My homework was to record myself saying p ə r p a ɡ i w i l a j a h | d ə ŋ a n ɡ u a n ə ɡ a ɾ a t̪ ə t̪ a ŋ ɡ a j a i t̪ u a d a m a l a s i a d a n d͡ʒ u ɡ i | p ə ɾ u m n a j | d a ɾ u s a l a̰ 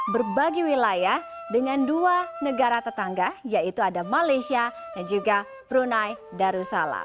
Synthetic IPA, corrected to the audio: b ə r b a ɡ i w i l a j a h | d ə ŋ a n d u a n ə ɡ a ɾ a t̪ ə t̪ a ŋ ɡ a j a i t̪ u a d a m a l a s i a d a n d͡ʒ u ɡ a | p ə ɾ u n a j | d a ɾ u s a l a̰